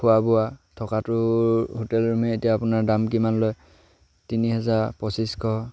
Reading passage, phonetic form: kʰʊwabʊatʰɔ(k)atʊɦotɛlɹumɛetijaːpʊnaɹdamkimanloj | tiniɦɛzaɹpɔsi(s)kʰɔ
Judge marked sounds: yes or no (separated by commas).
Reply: yes, yes